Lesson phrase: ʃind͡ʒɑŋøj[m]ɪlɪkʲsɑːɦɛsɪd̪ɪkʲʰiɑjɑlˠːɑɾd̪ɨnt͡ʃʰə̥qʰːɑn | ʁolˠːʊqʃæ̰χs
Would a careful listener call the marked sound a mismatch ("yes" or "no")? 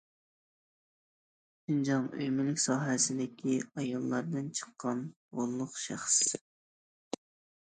no